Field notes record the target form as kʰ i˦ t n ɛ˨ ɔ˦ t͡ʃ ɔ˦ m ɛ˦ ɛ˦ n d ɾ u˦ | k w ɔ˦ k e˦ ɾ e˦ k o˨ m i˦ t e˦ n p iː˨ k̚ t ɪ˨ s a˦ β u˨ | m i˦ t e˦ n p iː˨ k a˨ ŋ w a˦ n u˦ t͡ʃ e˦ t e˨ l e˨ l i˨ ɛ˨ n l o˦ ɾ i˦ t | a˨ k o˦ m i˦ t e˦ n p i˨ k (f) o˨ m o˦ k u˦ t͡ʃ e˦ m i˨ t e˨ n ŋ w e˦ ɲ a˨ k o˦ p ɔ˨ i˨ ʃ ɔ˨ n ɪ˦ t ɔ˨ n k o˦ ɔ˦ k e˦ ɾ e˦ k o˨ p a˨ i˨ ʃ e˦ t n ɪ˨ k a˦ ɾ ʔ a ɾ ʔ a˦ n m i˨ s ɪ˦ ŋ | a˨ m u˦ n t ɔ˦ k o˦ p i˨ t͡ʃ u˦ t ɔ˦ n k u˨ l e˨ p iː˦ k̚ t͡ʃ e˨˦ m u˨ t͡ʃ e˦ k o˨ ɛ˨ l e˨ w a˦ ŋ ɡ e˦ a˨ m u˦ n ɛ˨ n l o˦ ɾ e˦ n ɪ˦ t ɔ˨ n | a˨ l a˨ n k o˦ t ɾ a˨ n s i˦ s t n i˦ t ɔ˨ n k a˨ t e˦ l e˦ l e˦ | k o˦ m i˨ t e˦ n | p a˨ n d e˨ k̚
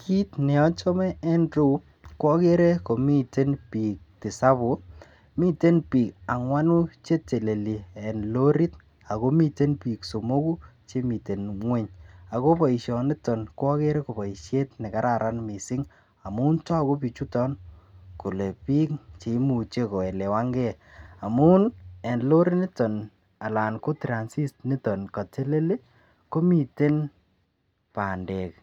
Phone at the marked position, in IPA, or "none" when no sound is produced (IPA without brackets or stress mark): s